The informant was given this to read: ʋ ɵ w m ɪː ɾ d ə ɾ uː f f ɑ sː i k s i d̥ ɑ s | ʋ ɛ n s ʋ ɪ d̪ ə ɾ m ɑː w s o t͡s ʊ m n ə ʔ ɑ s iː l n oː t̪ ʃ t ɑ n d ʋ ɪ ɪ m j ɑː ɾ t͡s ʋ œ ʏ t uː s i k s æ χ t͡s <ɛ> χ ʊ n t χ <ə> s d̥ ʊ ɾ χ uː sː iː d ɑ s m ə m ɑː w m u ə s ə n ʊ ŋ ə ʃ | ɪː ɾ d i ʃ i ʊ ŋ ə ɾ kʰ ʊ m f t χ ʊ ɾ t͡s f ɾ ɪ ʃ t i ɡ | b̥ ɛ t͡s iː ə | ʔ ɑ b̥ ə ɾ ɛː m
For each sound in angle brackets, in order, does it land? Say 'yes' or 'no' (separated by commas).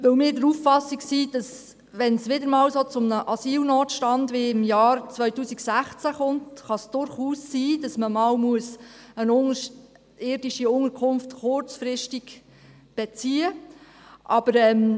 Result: no, no